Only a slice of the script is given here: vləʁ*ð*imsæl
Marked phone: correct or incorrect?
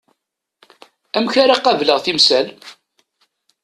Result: incorrect